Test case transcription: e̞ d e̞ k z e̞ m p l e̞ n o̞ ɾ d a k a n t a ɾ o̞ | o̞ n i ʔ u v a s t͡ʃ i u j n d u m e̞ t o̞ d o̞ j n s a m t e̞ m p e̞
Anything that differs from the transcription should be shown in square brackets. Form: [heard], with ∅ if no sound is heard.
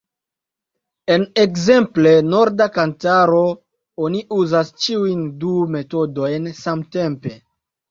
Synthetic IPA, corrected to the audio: e̞ [n] e̞ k z e̞ m p l e̞ n o̞ ɾ d a k a n t a ɾ o̞ | o̞ n i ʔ u [z] a s t͡ʃ i u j n d u m e̞ t o̞ d o̞ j n s a m t e̞ m p e̞